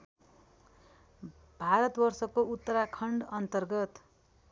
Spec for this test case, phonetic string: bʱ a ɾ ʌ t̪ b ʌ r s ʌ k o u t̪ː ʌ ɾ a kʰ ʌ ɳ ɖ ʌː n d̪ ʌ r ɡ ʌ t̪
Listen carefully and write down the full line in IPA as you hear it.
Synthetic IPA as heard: bʱ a ɾ ʌ t̪ b ʌ r s ʌ k o u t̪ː ʌ ɾ a kʰ ʌ ɳ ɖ ʌ n t̪ ʌ r ɡ ʌ t̪